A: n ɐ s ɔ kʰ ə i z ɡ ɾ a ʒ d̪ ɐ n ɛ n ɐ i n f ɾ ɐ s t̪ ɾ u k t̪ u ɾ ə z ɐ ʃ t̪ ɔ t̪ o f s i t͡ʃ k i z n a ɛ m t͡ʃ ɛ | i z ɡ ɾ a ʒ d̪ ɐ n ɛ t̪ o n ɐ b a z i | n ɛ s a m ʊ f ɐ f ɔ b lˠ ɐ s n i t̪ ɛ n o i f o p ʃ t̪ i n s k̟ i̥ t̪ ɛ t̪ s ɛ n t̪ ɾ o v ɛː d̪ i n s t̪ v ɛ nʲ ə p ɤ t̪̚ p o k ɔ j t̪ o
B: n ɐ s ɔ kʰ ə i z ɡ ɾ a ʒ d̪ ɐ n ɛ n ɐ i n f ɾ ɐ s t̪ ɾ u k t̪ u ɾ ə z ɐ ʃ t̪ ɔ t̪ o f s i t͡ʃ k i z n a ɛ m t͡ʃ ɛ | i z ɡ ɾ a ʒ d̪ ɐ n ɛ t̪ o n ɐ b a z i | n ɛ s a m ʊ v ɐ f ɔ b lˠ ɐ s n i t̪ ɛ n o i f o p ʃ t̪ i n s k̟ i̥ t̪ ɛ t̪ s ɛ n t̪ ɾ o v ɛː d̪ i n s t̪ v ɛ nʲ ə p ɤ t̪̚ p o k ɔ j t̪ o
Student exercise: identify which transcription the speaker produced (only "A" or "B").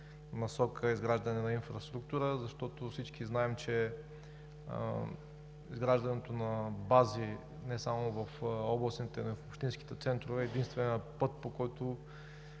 B